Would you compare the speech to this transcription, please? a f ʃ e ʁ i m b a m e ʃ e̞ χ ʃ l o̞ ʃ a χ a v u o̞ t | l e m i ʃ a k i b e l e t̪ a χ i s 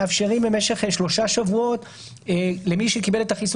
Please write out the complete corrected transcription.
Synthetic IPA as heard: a f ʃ e ʁ i m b e m e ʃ e̞ χ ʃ l o̞ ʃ a ʃ a v u o̞ t | l e m i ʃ e k i b e l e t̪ a χ i s